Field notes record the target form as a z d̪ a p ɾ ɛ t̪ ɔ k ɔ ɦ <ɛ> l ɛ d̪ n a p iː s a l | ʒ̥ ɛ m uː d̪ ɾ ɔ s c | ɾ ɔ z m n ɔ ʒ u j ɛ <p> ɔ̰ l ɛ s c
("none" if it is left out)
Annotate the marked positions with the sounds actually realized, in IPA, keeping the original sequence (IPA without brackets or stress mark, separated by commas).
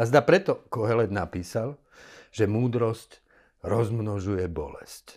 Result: ɛ, b